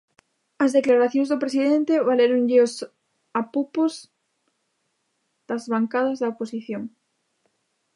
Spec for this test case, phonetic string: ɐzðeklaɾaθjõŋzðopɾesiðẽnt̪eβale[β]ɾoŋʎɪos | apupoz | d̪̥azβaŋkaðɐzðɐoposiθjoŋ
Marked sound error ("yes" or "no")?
yes